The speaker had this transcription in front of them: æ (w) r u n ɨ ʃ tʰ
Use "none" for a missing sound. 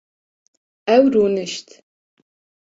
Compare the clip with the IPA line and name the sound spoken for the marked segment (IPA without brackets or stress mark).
w